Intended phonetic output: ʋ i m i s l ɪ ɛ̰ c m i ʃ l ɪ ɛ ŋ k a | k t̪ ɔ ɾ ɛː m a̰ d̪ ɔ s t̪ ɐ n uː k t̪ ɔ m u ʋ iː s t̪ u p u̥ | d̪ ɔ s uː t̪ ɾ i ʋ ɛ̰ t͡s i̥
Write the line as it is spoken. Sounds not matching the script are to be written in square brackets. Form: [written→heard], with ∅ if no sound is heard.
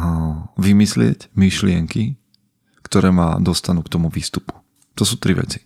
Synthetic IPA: ʋ i m i s l ɪ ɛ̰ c m i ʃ l ɪ ɛ ŋ k [a→i] | k t̪ ɔ ɾ ɛː m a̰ d̪ ɔ s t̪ [ɐ→a] n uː k t̪ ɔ m u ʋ iː s t̪ u p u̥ | [d̪→t̪] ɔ s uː t̪ ɾ i ʋ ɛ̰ t͡s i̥